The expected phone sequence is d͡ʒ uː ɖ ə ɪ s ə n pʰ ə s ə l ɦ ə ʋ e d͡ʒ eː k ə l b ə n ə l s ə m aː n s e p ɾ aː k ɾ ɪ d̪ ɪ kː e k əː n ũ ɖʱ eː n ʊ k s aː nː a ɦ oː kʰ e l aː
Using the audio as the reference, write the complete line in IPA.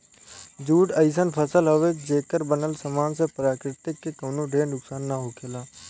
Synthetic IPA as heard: d͡ʒ uː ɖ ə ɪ s ə n pʰ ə s ə l ɦ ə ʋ e d͡ʒ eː k ə ɾ b ə n ə l s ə m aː n s e p ɾ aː k ɾ ɪ t̪ ɪ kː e k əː n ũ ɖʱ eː n ʊ k s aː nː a ɦ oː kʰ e l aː